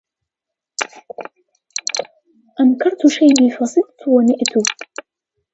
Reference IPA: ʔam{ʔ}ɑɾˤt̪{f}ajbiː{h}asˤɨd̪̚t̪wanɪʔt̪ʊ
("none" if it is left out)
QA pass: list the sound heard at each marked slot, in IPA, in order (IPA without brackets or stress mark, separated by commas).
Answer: k, ʃ, f